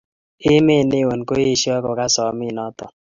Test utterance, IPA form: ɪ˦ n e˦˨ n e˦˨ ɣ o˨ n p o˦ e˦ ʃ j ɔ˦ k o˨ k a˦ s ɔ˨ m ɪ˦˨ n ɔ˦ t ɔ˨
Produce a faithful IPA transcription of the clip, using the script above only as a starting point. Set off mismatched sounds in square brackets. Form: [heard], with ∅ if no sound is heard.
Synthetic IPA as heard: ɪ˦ [m] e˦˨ n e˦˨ [w] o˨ n [k] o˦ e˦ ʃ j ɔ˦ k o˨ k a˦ s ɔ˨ m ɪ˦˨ n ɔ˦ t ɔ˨